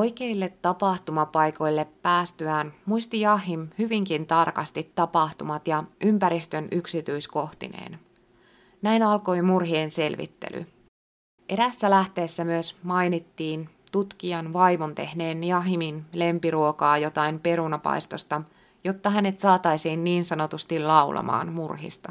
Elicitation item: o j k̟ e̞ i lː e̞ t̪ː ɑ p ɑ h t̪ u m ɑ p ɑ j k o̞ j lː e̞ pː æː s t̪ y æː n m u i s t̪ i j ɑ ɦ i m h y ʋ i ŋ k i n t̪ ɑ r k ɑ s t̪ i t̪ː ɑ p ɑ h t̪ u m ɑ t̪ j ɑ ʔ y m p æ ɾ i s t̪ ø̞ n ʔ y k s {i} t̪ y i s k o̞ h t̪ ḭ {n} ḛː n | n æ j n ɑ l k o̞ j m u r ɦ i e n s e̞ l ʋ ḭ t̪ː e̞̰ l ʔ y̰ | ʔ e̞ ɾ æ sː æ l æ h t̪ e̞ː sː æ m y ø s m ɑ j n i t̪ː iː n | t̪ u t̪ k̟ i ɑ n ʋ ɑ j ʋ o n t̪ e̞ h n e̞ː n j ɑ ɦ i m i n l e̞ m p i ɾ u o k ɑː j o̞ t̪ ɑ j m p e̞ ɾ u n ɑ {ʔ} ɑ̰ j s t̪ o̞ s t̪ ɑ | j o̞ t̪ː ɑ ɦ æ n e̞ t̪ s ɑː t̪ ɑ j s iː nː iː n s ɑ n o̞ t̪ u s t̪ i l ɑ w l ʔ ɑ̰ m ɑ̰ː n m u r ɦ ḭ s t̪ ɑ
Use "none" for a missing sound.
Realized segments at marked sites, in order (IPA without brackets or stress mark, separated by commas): i, n, p